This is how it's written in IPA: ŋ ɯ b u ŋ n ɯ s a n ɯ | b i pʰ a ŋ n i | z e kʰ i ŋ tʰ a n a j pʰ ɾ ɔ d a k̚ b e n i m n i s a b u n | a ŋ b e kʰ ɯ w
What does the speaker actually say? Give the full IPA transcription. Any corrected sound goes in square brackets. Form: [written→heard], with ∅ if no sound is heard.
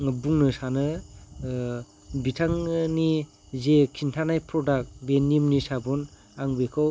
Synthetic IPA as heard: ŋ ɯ b u ŋ n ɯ s a n ɯ | b i [pʰ→tʰ] a ŋ n i | z e kʰ i [ŋ→n] tʰ a n a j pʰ ɾ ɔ d a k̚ b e n i m n i s a b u n | a ŋ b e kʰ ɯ w